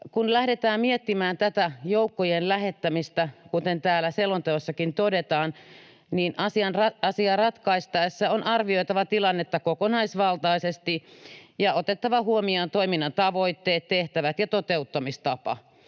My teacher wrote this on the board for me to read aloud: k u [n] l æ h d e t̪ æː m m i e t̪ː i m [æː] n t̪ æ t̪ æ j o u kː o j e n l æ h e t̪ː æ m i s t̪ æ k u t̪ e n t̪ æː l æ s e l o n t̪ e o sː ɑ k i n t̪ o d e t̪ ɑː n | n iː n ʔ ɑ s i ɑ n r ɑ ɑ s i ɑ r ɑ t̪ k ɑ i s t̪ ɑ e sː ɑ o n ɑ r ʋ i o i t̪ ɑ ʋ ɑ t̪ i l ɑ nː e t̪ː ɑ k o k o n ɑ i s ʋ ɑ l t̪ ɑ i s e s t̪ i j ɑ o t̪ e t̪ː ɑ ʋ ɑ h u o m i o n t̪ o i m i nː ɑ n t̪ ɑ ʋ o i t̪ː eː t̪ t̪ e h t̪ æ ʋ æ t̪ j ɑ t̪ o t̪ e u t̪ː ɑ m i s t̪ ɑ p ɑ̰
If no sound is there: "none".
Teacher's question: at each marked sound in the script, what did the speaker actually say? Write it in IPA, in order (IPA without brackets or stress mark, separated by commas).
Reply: n, æː